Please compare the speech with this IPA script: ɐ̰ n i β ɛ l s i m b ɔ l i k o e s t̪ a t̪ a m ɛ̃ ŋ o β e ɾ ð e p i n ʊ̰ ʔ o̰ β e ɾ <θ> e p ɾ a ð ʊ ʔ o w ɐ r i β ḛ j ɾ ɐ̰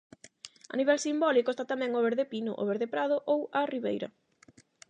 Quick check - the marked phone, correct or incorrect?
incorrect: ð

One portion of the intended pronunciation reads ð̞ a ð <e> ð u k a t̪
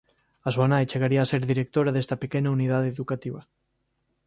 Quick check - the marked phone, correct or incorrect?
correct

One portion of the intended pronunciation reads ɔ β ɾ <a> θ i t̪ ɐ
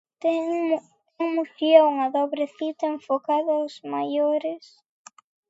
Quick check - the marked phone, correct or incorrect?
incorrect: e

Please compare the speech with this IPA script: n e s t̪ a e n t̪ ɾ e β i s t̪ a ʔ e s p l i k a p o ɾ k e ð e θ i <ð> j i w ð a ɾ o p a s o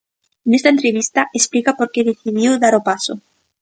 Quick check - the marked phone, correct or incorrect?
correct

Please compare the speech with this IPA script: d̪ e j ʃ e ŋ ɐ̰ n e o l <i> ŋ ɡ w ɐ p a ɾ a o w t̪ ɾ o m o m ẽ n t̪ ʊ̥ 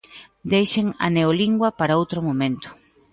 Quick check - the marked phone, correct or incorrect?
correct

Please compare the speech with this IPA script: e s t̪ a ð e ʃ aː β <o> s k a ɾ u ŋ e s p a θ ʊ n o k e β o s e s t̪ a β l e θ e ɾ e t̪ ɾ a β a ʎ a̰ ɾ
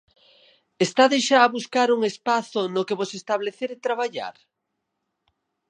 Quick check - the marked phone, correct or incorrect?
incorrect: u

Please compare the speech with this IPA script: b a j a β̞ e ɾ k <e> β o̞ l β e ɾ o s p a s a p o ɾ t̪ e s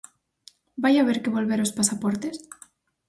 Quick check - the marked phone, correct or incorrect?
correct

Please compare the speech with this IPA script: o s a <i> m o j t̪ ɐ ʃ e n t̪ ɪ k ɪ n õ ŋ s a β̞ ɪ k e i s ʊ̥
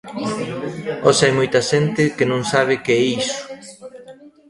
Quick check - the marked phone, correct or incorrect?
incorrect: j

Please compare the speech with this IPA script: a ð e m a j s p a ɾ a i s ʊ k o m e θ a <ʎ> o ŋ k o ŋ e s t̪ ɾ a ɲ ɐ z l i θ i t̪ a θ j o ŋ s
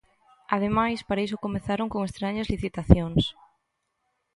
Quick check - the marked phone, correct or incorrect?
incorrect: ɾ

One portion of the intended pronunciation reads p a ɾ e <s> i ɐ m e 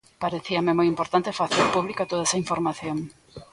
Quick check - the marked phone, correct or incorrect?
incorrect: θ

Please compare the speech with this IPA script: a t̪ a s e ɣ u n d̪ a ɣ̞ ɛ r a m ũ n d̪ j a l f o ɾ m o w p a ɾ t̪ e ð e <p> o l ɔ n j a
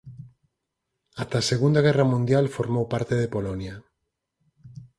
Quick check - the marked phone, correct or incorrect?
correct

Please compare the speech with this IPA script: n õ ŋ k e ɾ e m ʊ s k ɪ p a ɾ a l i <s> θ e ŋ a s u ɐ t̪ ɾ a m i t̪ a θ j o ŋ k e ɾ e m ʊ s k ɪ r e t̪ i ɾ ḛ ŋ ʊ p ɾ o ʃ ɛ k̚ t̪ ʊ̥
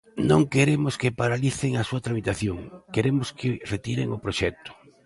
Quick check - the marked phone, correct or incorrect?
incorrect: none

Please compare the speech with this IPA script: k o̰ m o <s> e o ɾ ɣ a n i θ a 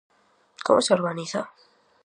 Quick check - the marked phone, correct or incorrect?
correct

